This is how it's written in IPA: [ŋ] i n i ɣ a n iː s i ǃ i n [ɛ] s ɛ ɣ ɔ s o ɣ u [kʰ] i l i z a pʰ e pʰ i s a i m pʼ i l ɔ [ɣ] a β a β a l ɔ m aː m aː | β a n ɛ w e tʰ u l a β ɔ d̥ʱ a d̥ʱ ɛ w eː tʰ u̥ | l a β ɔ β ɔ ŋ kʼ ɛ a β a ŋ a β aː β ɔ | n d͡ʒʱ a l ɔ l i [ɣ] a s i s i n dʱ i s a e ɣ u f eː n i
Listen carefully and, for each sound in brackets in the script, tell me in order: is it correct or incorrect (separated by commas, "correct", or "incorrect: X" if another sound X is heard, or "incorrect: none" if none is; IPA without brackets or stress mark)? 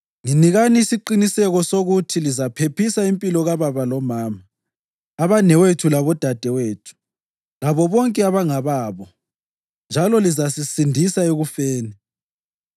correct, incorrect: i, incorrect: tʰ, correct, incorrect: z